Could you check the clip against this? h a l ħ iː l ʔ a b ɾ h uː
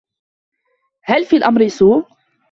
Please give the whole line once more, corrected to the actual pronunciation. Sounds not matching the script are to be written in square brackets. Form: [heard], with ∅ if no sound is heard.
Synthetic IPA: h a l [f] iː l ʔ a [m] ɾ [s] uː